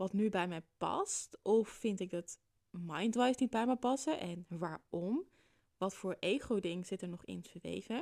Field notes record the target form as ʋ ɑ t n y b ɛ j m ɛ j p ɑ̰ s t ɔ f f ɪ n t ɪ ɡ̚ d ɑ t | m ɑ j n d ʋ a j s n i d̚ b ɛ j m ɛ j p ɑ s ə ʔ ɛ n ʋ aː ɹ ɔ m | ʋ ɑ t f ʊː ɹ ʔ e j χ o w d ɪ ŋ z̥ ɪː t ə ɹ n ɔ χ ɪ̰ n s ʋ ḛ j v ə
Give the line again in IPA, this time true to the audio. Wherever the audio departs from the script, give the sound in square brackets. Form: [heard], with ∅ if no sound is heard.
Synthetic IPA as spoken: ʋ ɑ t n y b ɛ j m ɛ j p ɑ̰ s t ɔ f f ɪ n t ɪ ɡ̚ d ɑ t | m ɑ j n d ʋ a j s n i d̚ b ɛ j m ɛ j p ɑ s ə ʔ ɛ n ʋ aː ɹ ɔ m | ʋ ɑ t f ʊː ɹ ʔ e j χ o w d ɪ ŋ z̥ [ɪ] t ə ɹ n ɔ χ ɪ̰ n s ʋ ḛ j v ə